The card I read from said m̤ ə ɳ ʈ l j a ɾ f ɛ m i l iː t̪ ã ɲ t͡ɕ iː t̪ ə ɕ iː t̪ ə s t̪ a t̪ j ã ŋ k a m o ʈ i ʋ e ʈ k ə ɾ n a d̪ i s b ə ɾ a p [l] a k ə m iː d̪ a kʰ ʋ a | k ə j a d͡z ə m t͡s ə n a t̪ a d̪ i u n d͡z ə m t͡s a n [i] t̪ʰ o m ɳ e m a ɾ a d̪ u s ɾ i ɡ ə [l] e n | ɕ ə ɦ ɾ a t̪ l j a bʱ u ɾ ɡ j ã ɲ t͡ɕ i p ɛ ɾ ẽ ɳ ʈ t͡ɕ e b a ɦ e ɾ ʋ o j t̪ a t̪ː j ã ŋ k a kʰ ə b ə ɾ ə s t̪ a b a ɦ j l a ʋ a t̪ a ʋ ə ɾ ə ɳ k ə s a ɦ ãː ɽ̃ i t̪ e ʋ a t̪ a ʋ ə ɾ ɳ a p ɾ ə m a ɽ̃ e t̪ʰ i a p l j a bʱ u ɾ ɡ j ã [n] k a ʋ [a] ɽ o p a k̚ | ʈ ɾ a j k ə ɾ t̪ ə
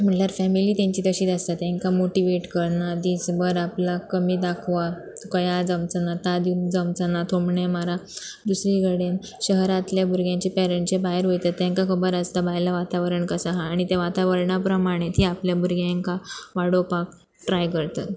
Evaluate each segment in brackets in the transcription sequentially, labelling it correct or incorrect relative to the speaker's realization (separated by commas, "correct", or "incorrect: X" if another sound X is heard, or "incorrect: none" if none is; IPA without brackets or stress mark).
correct, incorrect: a, incorrect: ɽ, incorrect: ŋ, correct